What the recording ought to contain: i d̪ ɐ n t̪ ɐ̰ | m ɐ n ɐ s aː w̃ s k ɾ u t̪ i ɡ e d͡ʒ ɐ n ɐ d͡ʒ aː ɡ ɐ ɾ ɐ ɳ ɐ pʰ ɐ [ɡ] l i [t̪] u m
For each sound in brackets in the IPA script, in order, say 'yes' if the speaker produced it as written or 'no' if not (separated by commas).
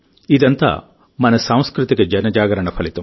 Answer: no, yes